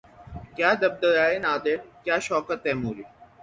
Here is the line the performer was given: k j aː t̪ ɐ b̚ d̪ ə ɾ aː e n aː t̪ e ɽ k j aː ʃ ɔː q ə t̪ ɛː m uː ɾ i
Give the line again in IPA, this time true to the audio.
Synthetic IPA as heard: k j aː d̪ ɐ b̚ d̪ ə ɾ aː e n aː d̪ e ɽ k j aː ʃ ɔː k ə t̪ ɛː m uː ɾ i